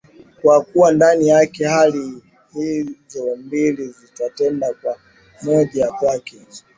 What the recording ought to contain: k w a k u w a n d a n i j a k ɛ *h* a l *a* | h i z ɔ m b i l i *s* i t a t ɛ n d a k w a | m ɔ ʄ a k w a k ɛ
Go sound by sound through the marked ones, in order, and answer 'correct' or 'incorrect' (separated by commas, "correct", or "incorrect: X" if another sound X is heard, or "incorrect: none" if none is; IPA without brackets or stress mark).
correct, incorrect: i, incorrect: z